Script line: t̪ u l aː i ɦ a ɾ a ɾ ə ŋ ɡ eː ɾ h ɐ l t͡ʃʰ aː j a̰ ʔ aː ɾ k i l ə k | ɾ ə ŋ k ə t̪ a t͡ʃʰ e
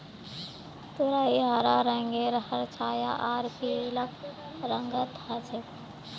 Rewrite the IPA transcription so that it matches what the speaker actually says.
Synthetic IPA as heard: t̪ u ɾ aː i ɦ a ɾ a ɾ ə ŋ ɡ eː ɾ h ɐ ɾ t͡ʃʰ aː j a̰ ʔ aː ɾ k i l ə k | ɾ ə ŋ ɡ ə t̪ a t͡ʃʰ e